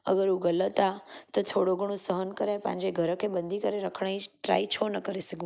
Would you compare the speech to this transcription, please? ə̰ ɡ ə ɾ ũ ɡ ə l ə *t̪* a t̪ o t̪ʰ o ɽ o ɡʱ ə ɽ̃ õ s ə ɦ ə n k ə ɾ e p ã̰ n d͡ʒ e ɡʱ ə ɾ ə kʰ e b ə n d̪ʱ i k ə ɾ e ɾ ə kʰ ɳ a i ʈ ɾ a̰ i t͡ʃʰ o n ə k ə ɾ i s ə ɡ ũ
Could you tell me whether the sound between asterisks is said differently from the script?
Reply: no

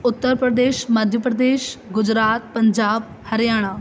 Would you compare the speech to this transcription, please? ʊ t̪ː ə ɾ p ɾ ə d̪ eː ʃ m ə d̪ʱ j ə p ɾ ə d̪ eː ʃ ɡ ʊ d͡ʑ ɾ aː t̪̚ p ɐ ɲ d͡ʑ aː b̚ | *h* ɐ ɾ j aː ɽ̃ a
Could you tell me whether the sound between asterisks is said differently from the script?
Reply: no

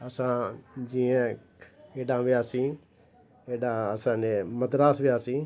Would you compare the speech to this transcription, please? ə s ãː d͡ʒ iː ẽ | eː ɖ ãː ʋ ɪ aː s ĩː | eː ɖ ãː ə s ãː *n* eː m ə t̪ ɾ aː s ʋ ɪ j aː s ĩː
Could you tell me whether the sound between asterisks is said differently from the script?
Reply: no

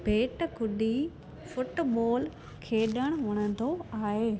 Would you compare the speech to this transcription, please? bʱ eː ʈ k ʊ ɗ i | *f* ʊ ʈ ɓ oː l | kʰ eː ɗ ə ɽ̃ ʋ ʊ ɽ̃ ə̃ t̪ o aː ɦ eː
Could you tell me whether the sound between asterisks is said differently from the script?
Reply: no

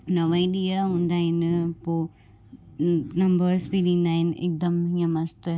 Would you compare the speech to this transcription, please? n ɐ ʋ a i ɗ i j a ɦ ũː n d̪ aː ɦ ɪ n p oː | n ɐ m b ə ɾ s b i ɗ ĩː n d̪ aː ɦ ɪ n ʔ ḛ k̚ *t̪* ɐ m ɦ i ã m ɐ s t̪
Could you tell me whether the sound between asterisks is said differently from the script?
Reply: yes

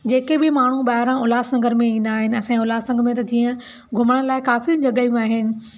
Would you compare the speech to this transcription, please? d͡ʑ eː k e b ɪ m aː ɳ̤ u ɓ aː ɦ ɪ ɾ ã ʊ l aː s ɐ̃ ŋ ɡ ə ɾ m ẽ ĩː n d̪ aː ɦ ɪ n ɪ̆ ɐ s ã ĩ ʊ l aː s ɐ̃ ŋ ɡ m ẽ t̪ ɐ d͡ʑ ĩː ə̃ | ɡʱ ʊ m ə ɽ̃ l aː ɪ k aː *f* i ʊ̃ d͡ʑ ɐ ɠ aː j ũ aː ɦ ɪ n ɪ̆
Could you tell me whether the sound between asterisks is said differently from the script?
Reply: no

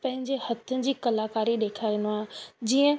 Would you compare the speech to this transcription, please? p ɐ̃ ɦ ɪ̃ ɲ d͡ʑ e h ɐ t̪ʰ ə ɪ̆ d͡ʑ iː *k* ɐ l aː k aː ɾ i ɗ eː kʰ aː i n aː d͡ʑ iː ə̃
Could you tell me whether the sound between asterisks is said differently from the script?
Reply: no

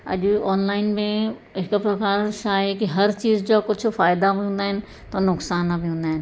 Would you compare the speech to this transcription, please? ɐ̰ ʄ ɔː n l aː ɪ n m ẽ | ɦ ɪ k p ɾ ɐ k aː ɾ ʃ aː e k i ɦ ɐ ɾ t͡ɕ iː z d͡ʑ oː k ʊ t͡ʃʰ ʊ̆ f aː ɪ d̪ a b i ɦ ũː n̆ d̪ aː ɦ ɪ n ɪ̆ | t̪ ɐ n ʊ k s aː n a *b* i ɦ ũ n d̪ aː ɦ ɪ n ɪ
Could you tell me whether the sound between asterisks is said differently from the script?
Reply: no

